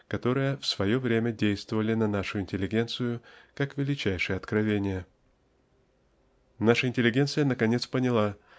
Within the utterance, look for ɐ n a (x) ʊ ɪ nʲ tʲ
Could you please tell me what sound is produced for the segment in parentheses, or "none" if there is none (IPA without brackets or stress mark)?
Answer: ʂ